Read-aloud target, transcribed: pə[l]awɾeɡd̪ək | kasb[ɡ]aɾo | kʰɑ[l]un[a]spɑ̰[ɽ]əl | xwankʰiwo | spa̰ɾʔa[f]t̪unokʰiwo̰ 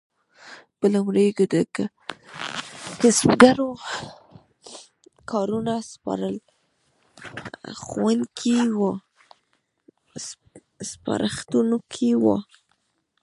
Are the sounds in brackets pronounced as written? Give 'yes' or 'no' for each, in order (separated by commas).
yes, yes, no, yes, no, no